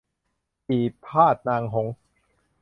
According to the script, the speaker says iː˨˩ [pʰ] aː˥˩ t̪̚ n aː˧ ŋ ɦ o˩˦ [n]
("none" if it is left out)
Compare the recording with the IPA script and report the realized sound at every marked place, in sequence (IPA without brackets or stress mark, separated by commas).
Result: pʰ, ŋ